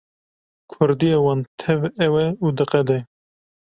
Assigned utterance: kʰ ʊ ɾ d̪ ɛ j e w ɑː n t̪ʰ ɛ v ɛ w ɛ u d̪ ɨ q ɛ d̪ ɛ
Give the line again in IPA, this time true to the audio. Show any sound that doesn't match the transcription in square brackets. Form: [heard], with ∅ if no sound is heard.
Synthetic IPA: kʰ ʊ ɾ d̪ [i] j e w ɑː n t̪ʰ ɛ v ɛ w ɛ u d̪ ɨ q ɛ d̪ ɛ

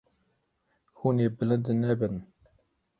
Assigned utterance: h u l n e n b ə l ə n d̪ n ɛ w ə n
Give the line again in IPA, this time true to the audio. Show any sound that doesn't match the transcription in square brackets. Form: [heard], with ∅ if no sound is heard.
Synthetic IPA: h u [∅] n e [∅] b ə l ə n d̪ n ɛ [b] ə n

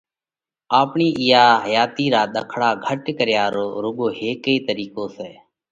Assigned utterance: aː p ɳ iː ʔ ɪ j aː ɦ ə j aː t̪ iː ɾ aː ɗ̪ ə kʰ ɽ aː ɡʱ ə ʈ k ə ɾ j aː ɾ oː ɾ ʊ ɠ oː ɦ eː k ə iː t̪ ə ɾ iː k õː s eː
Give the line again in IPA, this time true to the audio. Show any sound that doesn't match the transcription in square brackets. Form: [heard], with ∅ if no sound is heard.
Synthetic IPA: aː p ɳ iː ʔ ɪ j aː ɦ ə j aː t̪ iː ɾ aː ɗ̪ ə kʰ ɽ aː ɡʱ ə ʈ k ə ɾ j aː ɾ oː ɾ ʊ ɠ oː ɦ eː k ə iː t̪ ə ɾ iː k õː s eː

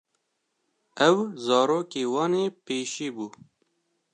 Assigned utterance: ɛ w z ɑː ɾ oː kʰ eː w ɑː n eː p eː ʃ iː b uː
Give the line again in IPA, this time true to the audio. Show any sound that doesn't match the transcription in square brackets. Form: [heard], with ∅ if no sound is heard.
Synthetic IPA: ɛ w z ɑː ɾ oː [k] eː w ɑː n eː p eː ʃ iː b uː

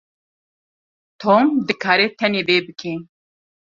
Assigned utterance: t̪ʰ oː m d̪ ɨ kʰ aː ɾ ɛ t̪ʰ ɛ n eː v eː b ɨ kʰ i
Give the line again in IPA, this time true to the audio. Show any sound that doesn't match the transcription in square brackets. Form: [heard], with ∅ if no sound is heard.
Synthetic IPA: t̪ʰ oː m d̪ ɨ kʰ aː ɾ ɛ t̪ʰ ɛ n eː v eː b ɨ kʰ i

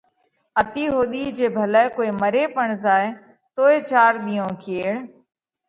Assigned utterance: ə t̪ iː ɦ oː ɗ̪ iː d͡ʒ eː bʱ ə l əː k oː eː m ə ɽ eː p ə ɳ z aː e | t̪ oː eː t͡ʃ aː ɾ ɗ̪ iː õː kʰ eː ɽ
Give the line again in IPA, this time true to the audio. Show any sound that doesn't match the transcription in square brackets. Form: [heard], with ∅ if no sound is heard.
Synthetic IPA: ə t̪ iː ɦ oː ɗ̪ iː d͡ʒ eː bʱ ə l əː k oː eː m ə [ɾ] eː p ə ɳ z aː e | t̪ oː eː t͡ʃ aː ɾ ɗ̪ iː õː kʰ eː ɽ

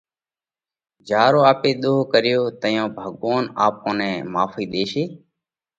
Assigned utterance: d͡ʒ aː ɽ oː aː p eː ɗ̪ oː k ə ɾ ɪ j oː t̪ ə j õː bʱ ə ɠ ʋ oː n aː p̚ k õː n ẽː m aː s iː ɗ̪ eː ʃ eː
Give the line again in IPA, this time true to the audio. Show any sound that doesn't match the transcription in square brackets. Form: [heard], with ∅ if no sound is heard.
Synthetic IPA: d͡ʒ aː [ɾ] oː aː p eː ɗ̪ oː k ə ɾ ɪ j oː t̪ ə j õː bʱ ə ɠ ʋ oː n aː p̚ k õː n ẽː m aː [f] iː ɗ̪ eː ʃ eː

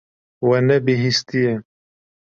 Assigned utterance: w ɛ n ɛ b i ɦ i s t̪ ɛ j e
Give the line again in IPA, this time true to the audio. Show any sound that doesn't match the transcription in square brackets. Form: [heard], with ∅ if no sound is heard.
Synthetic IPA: w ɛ n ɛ b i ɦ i s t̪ [i] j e

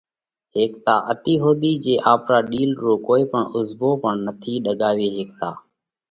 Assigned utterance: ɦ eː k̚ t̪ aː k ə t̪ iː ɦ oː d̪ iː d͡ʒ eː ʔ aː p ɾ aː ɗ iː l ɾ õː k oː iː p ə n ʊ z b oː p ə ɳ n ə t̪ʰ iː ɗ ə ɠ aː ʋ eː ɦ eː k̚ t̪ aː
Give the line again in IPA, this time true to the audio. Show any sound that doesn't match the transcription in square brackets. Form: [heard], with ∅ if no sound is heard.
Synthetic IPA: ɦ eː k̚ t̪ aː [ʔ] ə t̪ iː ɦ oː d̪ iː d͡ʒ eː ʔ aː p ɾ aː ɗ iː l ɾ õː k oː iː p ə [ɳ] ʊ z b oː p ə ɳ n ə t̪ʰ iː ɗ ə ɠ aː ʋ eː ɦ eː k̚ t̪ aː

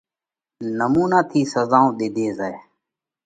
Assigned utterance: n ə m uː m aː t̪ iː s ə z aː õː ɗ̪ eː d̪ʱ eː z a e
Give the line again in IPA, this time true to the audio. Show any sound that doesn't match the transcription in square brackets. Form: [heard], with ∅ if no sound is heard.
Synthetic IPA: n ə m uː [n] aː [t̪ʰ] iː s ə z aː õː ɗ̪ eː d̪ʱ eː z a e

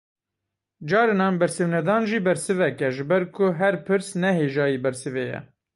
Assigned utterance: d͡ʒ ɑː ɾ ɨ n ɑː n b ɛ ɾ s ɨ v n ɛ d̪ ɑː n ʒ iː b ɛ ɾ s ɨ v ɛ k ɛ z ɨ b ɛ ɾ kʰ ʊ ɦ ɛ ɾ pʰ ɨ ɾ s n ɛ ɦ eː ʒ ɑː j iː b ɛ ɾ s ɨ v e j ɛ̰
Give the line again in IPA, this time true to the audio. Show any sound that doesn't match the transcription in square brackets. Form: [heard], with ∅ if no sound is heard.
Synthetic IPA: d͡ʒ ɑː ɾ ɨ n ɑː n b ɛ ɾ s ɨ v n ɛ d̪ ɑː n ʒ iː b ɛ ɾ s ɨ v ɛ k ɛ [ʒ] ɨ b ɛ ɾ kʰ ʊ ɦ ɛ ɾ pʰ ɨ ɾ s n ɛ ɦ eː ʒ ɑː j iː b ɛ ɾ s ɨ v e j ɛ̰

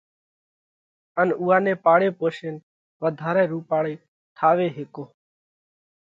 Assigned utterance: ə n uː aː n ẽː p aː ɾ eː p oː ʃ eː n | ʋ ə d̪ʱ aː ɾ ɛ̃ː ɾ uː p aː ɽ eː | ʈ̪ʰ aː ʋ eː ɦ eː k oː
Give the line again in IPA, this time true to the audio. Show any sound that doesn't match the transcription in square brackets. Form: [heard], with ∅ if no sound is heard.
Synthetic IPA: ə n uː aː n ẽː p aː [ɽ] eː p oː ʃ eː n | ʋ ə d̪ʱ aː ɾ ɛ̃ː ɾ uː p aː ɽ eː | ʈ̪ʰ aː ʋ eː ɦ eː k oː

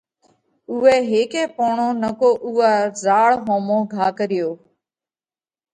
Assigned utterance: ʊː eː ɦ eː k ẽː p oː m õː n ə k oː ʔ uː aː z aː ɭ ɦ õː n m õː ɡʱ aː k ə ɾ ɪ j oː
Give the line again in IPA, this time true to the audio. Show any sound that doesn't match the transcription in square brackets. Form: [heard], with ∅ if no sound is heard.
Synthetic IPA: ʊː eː ɦ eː k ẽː p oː [ɳ] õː n ə k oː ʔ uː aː z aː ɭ ɦ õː [∅] m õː ɡʱ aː k ə ɾ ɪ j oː

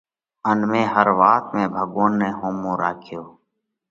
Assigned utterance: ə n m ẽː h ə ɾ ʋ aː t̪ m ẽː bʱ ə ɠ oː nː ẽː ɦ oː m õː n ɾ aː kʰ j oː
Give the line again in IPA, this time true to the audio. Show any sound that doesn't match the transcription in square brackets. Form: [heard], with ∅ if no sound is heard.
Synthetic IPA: ə n m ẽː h ə ɾ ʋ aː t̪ m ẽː bʱ ə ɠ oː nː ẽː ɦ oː m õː [∅] ɾ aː kʰ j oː

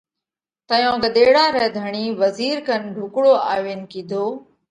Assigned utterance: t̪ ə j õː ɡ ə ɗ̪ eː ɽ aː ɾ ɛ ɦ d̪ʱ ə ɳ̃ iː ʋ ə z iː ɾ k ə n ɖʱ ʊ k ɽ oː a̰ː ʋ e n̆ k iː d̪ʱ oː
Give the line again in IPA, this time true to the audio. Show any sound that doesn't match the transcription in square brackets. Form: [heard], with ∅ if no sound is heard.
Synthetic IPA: t̪ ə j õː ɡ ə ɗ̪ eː ɽ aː ɾ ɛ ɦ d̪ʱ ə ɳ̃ iː ʋ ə z iː ɾ k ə n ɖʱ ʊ k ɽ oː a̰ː ʋ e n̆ k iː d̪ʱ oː

